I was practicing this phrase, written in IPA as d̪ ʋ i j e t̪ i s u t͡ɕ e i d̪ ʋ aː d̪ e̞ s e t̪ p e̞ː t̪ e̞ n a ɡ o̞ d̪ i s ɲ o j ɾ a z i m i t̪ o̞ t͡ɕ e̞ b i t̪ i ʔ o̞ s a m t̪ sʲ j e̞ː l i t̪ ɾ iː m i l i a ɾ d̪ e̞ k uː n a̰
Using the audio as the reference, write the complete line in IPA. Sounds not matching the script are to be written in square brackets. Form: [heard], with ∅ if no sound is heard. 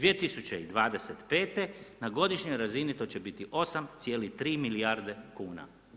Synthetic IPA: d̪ ʋ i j e t̪ i s u t͡ɕ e i d̪ ʋ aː d̪ e̞ s e t̪ p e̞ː t̪ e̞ n a ɡ o̞ d̪ i [ʃ] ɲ o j ɾ a z i [n] i t̪ o̞ t͡ɕ e̞ b i t̪ i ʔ o̞ s a m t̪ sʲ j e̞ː l i t̪ ɾ iː m i l i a ɾ d̪ e̞ k uː n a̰